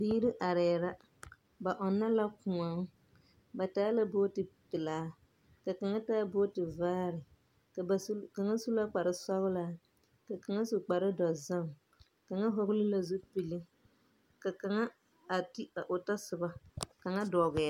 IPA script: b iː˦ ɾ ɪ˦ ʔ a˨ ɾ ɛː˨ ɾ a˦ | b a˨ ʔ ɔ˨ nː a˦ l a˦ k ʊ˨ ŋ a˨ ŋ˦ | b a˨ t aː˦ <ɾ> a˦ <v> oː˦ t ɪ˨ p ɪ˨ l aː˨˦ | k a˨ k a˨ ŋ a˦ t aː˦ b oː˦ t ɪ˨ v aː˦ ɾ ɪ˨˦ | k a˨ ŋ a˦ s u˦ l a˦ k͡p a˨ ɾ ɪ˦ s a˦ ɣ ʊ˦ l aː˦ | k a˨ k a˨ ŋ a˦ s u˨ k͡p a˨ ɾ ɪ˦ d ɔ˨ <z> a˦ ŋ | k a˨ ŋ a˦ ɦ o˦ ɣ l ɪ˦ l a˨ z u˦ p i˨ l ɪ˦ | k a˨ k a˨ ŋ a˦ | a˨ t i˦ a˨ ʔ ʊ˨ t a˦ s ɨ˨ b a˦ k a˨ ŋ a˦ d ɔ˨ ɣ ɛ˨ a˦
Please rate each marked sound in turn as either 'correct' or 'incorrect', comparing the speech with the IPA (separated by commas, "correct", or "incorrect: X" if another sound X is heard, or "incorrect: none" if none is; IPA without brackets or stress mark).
incorrect: l, incorrect: b, correct